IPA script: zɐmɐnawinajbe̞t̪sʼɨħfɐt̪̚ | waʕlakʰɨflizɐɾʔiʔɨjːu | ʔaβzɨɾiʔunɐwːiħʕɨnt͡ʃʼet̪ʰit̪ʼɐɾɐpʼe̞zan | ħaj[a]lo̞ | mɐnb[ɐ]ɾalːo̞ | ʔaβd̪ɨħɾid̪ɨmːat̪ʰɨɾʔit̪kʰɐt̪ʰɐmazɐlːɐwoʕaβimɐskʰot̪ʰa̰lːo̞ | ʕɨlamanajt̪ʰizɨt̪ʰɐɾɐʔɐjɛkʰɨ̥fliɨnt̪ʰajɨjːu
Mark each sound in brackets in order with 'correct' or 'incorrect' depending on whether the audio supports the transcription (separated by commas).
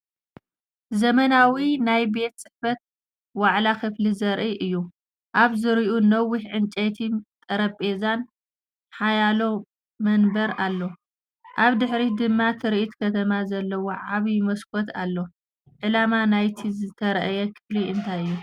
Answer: correct, correct